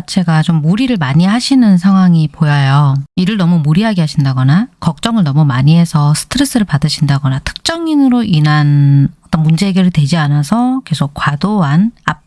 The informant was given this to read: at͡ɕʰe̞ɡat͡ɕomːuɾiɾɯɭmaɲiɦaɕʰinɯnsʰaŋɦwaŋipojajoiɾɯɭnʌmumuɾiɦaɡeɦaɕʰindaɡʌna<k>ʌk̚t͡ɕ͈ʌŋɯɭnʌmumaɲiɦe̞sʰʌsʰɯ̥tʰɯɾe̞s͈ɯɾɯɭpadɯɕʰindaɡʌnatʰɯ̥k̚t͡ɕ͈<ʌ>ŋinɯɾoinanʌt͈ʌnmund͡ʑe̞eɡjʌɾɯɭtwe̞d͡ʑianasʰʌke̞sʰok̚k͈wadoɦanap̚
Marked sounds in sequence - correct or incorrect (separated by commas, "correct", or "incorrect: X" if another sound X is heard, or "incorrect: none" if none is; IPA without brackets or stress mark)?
correct, correct